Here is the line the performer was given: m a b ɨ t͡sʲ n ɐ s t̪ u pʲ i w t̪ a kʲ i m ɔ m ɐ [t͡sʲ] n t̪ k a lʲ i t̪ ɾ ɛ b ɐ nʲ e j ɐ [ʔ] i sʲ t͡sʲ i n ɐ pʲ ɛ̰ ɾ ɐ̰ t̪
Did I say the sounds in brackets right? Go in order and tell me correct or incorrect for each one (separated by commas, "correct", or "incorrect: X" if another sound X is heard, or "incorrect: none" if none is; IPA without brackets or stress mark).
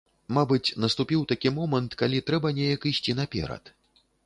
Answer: incorrect: none, incorrect: k